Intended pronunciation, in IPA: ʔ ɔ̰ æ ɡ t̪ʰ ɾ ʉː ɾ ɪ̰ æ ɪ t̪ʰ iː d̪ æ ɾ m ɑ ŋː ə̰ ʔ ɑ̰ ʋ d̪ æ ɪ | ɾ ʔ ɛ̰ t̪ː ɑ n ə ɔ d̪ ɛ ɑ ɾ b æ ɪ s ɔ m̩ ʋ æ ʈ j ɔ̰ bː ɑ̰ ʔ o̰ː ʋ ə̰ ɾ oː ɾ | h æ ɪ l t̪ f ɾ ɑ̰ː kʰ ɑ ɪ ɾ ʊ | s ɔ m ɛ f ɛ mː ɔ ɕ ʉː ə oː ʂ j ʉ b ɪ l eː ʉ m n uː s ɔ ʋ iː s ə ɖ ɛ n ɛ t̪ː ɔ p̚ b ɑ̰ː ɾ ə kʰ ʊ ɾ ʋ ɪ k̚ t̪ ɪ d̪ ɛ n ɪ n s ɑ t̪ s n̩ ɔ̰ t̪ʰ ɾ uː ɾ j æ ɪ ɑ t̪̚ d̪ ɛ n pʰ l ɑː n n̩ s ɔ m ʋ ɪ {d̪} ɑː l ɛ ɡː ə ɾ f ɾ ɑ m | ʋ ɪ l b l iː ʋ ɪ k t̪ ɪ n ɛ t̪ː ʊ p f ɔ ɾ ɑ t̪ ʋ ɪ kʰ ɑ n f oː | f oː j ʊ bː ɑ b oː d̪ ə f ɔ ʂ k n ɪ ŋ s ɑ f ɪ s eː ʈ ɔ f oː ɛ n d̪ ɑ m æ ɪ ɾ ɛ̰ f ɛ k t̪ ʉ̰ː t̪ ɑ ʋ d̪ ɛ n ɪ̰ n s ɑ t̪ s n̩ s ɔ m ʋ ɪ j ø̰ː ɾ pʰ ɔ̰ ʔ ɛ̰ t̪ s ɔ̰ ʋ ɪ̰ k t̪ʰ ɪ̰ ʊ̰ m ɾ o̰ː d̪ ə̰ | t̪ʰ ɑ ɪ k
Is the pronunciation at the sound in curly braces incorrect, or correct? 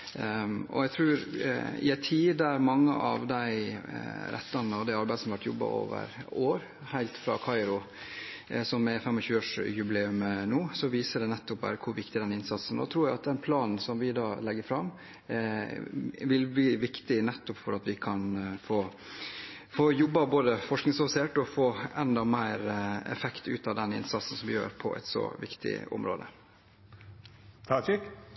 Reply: correct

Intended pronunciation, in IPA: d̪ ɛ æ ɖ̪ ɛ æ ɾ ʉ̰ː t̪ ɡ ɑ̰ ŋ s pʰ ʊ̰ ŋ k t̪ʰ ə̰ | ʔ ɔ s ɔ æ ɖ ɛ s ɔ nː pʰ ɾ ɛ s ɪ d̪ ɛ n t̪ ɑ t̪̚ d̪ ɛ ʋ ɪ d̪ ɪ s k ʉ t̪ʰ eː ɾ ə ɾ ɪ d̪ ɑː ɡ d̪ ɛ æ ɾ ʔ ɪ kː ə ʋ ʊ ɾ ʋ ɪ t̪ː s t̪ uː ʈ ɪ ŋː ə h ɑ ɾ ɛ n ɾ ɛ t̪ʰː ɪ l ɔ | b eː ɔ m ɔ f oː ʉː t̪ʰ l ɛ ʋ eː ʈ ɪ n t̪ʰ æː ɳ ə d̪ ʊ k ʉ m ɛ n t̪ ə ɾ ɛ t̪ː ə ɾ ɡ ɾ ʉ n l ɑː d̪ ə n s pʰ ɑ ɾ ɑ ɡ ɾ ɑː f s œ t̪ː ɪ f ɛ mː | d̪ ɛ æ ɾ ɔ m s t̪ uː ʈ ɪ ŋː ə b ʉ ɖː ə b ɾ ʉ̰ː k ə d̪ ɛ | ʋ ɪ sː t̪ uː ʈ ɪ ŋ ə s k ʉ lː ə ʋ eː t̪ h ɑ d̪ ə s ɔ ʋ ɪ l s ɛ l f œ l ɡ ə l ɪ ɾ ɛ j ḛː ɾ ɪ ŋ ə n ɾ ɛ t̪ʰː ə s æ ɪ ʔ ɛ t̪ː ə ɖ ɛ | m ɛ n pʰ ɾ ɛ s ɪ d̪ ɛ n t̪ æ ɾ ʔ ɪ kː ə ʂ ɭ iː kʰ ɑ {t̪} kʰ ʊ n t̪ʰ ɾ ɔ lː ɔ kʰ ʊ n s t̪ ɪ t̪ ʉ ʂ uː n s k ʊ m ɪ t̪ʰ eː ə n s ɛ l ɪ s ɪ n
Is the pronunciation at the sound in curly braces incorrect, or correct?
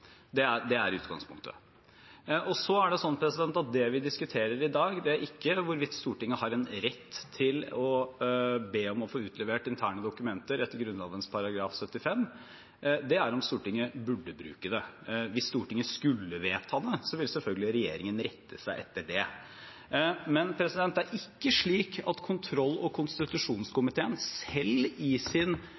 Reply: correct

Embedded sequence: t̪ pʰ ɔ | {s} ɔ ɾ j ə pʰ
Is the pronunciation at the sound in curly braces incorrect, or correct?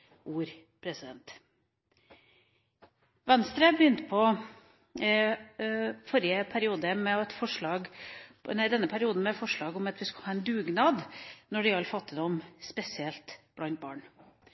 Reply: incorrect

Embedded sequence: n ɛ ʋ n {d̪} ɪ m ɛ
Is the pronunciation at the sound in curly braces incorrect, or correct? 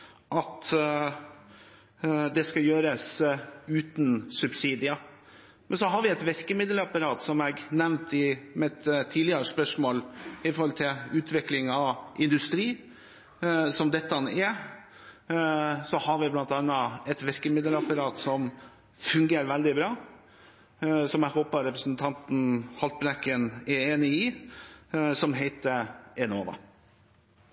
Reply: incorrect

